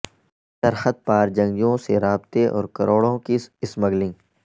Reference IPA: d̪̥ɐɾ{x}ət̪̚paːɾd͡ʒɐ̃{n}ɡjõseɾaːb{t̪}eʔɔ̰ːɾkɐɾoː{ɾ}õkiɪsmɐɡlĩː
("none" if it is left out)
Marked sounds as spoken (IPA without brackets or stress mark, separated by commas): x, ŋ, t̪, ɽ